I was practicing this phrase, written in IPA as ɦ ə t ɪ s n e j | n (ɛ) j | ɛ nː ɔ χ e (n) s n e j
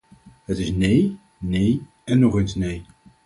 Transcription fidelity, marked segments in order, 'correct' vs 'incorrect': incorrect: e, correct

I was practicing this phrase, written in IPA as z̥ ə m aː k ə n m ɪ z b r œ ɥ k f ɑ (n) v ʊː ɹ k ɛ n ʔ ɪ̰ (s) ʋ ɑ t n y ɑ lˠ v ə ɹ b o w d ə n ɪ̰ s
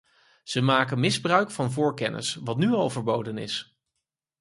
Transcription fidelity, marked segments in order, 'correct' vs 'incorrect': correct, correct

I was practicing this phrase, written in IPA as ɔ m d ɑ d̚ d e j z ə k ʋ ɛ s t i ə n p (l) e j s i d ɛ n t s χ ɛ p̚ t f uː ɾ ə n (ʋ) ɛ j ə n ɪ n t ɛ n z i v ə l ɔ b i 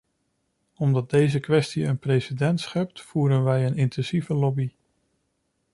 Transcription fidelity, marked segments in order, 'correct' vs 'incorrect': incorrect: r, correct

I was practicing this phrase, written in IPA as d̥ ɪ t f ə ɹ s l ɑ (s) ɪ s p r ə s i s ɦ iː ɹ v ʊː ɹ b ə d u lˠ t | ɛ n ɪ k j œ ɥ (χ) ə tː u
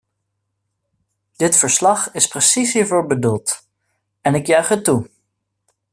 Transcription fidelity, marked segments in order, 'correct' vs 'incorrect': incorrect: χ, correct

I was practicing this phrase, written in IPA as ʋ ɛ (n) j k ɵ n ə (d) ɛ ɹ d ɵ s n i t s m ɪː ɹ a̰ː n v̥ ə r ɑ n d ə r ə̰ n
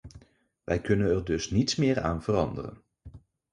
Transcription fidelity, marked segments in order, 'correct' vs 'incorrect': incorrect: none, incorrect: n

